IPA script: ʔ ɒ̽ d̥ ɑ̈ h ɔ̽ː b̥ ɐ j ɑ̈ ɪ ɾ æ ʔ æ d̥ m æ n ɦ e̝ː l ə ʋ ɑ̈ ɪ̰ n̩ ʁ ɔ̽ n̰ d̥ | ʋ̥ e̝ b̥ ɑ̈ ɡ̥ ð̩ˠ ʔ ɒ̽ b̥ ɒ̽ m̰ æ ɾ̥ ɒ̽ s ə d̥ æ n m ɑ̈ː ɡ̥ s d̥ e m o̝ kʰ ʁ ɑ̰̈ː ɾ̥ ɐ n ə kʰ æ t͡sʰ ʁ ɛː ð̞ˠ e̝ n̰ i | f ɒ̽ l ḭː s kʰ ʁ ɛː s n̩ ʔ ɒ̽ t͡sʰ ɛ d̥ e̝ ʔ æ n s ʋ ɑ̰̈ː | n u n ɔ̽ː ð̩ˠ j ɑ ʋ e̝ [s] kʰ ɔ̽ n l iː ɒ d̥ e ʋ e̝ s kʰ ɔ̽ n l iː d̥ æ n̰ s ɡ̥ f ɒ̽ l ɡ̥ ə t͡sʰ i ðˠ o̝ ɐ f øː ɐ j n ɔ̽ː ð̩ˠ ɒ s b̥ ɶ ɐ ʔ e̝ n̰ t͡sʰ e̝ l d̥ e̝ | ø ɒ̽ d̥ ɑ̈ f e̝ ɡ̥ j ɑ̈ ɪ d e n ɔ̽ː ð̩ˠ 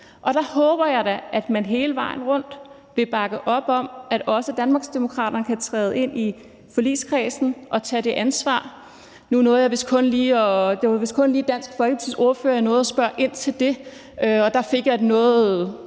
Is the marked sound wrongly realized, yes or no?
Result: no